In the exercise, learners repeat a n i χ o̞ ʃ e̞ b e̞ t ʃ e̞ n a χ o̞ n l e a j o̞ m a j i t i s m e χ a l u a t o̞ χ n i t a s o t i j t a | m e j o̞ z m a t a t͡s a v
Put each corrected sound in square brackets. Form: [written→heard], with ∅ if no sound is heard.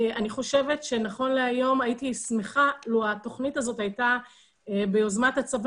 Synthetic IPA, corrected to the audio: a n i χ o̞ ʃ e̞ [b→v] e̞ t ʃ e̞ n a χ o̞ n l e a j o̞ m a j i t i s m e χ a l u a t o̞ χ n i t a [s→z] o t [i→a] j t a | [m→b] e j o̞ z m a t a t͡s a v